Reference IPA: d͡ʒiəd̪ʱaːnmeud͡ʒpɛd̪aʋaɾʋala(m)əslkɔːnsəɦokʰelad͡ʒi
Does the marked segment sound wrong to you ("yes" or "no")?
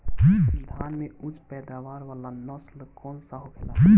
yes